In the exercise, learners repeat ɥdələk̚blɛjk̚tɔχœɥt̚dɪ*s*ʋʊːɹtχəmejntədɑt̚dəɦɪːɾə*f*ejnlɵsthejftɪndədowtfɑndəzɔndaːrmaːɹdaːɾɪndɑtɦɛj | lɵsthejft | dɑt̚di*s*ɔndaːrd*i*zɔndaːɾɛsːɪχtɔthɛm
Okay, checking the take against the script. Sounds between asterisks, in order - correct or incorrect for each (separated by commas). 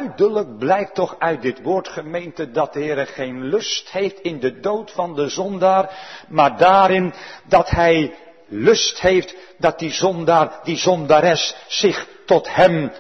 incorrect, incorrect, incorrect, correct